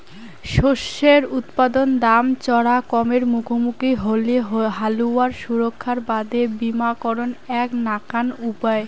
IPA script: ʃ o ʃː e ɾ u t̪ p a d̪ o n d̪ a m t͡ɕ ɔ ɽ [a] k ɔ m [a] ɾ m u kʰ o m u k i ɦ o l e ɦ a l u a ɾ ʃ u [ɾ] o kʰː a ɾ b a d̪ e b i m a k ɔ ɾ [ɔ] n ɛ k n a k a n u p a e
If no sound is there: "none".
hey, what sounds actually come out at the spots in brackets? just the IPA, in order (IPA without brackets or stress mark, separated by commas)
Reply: a, e, ɾ, o